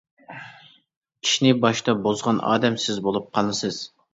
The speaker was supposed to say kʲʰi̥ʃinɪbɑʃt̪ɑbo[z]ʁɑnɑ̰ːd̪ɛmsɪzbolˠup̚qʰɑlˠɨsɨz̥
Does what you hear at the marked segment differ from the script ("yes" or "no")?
no